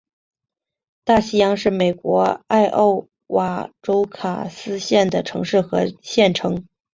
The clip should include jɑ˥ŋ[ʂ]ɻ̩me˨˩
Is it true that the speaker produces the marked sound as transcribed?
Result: yes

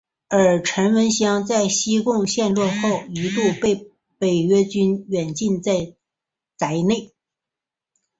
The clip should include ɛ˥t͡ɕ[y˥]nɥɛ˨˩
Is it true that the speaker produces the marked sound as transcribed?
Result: yes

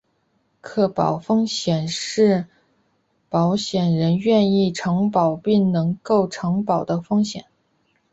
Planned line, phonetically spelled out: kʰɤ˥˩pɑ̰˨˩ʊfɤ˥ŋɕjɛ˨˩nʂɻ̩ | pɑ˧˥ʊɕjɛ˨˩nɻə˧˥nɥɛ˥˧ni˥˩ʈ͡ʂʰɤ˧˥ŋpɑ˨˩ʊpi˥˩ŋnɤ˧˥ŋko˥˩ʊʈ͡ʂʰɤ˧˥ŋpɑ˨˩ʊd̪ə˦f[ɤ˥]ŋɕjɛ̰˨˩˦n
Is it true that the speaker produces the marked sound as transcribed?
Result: yes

